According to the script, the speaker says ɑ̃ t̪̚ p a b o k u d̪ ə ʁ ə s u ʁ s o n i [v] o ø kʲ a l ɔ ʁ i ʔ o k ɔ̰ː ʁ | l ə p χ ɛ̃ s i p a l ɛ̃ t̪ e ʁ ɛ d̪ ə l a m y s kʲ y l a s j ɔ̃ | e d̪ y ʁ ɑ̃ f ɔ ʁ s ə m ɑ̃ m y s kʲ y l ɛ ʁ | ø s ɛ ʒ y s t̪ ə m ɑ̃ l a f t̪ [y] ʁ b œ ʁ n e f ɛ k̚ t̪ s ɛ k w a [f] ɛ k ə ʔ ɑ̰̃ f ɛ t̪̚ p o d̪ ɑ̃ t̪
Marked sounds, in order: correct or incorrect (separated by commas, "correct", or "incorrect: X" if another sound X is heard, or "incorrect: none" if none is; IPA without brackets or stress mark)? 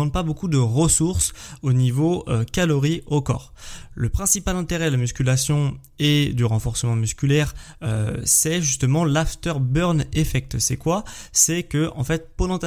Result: correct, incorrect: œ, incorrect: s